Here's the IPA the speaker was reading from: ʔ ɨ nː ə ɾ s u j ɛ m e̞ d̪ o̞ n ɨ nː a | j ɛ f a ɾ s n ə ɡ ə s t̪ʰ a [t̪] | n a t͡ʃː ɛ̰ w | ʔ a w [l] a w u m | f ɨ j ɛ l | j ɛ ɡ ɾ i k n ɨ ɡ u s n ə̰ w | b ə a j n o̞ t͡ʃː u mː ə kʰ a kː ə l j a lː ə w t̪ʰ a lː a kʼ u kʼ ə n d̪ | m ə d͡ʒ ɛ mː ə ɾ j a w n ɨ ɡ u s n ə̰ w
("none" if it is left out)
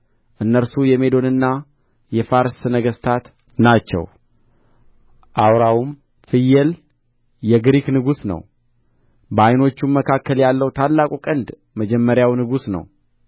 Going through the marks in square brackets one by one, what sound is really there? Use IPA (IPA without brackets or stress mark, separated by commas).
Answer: t̪, ɾ